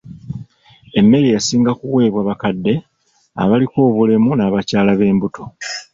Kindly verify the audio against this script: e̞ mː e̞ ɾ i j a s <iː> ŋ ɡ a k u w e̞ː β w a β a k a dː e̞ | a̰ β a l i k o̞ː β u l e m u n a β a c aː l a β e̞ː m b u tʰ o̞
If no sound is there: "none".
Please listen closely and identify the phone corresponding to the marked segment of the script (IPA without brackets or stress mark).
iː